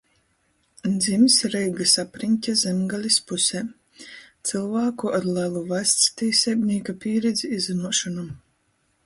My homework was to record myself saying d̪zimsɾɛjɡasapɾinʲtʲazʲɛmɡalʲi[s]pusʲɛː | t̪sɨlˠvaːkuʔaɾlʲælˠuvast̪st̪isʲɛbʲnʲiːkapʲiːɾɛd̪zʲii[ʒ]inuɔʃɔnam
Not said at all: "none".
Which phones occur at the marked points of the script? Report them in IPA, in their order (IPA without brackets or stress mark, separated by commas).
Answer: s, z